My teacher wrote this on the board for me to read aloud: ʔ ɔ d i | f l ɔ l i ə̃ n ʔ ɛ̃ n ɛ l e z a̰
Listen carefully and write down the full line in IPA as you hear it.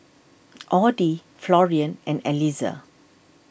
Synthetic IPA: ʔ ɔ d i | f l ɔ ɹ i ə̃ n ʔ ɛ̃ n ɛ l i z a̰